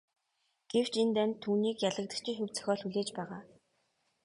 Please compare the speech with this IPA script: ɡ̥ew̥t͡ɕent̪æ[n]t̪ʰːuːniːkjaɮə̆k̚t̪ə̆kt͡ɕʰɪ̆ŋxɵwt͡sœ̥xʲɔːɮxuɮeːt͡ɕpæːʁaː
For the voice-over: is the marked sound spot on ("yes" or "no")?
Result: yes